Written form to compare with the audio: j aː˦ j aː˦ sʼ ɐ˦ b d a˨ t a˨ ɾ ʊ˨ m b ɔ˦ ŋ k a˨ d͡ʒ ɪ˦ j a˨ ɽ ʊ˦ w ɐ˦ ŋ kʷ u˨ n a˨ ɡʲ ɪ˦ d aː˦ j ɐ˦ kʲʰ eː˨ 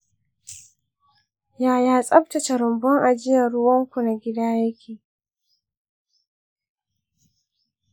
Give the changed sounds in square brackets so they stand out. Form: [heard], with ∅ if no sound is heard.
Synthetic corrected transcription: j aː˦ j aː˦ sʼ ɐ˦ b [t] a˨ [t͡ʃ] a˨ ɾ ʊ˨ m b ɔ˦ ŋ [ʔ] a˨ d͡ʒ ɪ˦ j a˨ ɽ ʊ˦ w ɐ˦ ŋ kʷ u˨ n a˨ ɡʲ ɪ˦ d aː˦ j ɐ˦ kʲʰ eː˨

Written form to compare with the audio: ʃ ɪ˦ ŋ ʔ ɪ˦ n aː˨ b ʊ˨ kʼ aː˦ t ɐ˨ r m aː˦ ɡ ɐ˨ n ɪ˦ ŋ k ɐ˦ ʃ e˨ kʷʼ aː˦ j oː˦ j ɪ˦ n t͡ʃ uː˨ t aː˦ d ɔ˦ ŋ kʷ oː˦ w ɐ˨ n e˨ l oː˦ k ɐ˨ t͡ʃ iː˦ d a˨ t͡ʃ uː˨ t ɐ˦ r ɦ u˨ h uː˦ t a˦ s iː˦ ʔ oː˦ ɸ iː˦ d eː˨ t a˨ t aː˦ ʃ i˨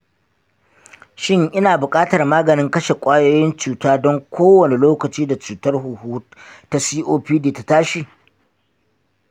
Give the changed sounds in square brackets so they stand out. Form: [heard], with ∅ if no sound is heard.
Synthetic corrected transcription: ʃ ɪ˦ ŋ ʔ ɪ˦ n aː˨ b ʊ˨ kʼ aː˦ t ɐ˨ r m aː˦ ɡ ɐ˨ n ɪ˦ ŋ k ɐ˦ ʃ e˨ kʷʼ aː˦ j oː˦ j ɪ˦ n t͡ʃ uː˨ t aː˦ d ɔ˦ ŋ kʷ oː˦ w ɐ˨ n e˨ l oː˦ k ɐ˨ t͡ʃ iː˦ d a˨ t͡ʃ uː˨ t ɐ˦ r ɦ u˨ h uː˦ t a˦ s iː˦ ʔ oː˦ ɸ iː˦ d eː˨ t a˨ t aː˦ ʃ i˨

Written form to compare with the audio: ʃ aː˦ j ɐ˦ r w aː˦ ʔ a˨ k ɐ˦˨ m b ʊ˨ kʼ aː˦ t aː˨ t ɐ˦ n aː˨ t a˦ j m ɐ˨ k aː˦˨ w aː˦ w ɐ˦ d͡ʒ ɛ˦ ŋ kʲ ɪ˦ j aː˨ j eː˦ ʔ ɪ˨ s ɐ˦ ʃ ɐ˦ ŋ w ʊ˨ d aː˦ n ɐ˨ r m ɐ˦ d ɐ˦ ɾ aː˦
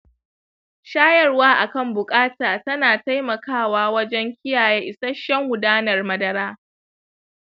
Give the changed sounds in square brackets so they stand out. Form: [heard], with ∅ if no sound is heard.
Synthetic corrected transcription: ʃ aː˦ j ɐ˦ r w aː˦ ʔ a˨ k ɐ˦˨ m b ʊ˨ kʼ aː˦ t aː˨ t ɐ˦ n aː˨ t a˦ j m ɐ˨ k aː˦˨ w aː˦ w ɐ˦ d͡ʒ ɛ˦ ŋ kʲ ɪ˦ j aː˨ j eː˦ ʔ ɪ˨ s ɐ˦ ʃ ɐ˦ ŋ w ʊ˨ d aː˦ n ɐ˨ r m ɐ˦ d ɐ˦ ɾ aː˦

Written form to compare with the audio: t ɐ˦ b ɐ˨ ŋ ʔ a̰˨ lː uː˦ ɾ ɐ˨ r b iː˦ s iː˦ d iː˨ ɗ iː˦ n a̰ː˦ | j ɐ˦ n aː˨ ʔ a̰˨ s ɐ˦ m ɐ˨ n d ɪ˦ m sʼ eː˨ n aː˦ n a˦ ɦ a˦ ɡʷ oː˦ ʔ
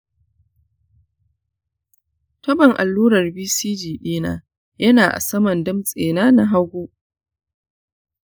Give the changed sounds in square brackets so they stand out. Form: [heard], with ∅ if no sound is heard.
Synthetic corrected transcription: t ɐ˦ b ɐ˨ ŋ ʔ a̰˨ lː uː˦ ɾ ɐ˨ r b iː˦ s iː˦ [d͡ʒ] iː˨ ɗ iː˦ n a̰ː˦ | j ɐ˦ n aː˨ ʔ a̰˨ s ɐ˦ m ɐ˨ n d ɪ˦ m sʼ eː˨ n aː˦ n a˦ ɦ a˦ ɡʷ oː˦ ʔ

